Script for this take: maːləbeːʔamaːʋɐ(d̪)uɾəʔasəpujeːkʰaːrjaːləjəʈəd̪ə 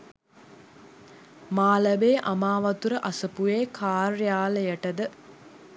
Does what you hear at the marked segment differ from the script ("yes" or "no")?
yes